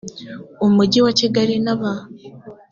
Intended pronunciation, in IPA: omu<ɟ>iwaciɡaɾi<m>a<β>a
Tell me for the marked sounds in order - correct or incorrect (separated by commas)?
correct, incorrect, correct